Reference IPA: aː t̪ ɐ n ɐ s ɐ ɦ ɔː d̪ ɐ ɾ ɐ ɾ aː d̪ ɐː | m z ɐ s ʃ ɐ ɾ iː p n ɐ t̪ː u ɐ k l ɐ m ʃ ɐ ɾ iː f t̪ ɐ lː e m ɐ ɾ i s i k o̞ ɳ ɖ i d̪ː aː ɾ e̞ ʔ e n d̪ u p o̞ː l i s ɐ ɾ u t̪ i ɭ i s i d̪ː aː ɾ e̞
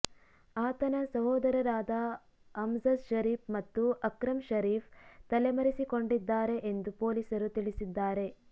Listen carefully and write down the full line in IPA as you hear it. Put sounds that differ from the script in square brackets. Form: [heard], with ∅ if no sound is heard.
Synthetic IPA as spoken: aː t̪ ɐ n ɐ s ɐ ɦ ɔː d̪ ɐ ɾ ɐ ɾ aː d̪ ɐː | m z ɐ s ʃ ɐ ɾ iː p [m] ɐ t̪ː u ɐ k [ɾ] ɐ m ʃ ɐ ɾ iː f t̪ ɐ [l] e m ɐ ɾ i s i k o̞ ɳ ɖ i d̪ː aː ɾ e̞ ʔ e n d̪ u p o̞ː l i s ɐ ɾ u t̪ i ɭ i s i d̪ː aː ɾ e̞

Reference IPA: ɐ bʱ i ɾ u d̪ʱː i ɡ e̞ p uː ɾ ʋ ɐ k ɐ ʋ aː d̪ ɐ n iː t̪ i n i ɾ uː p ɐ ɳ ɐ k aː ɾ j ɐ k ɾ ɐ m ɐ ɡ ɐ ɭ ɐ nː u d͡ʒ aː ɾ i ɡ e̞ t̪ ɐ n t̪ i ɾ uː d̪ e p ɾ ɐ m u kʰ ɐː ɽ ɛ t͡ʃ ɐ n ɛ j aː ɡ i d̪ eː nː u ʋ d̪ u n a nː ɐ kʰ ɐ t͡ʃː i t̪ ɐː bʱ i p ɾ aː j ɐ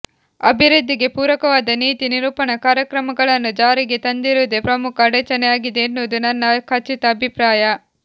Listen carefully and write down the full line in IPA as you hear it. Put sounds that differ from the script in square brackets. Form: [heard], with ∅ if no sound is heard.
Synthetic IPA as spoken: ɐ bʱ i ɾ u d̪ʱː i ɡ e̞ p uː ɾ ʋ ɐ k ɐ ʋ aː d̪ ɐ n iː t̪ i n i ɾ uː p ɐ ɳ ɐ k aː ɾ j ɐ k ɾ ɐ m ɐ ɡ ɐ ɭ ɐ nː u d͡ʒ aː ɾ i ɡ e̞ t̪ ɐ n [d̪] i ɾ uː d̪ e p ɾ ɐ m u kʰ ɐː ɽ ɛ t͡ʃ ɐ n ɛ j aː ɡ i d̪ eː nː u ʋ d̪ u n [ɐ] nː ɐ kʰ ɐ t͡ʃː i t̪ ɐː bʱ i p ɾ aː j ɐ

